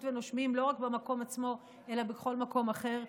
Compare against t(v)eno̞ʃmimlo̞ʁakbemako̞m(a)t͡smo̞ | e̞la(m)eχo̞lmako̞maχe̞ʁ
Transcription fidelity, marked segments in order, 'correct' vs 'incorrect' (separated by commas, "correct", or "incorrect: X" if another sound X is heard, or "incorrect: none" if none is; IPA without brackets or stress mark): correct, correct, incorrect: b